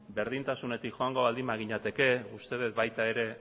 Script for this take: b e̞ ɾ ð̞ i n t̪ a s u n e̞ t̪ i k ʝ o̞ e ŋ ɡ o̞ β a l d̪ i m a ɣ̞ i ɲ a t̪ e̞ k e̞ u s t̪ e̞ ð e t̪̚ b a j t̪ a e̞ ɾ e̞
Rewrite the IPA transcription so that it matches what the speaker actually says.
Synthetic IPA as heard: b e̞ ɾ ð̞ i n t̪ a s u n e̞ t̪ i k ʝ o̞ a ŋ ɡ o̞ β a l d̪ i m a ɣ̞ i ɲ a t̪ e̞ k e̞ u s t̪ e̞ ð e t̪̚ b a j t̪ a e̞ ɾ e̞